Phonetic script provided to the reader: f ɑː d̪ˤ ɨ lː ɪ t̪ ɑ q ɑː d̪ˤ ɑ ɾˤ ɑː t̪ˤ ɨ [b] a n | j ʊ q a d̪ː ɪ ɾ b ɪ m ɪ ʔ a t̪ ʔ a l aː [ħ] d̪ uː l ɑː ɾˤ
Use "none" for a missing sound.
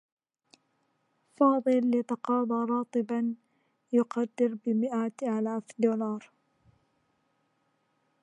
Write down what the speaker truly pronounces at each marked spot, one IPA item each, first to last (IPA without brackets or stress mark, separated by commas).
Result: b, f